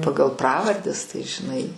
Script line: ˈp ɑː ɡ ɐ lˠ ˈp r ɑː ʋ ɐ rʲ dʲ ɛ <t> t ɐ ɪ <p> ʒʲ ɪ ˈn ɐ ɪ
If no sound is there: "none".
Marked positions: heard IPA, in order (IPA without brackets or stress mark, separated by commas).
s, none